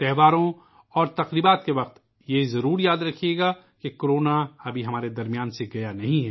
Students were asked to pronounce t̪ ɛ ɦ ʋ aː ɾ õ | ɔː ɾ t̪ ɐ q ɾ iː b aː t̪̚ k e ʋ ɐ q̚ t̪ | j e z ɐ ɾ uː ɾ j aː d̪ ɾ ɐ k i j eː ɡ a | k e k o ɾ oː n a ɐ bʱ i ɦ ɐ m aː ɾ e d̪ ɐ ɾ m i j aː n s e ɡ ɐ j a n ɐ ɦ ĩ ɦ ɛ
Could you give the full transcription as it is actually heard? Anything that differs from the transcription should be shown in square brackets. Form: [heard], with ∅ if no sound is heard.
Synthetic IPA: t̪ ɛ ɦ ʋ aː ɾ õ | ɔː ɾ t̪ ɐ q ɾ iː b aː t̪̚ k e ʋ ɐ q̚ t̪ | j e z ɐ ɾ uː ɾ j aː d̪ ɾ ɐ [kʰ] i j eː ɡ a | k e k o ɾ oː n a ɐ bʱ i ɦ ɐ m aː ɾ e d̪ ɐ ɾ m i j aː n s e ɡ ɐ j a n ɐ ɦ ĩ ɦ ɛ